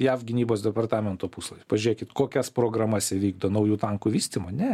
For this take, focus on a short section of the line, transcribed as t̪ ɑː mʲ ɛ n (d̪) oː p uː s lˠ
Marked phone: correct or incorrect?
incorrect